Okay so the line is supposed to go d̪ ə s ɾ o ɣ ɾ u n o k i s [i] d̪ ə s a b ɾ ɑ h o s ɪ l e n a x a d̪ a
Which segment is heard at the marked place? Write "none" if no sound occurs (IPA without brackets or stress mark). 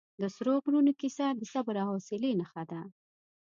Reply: a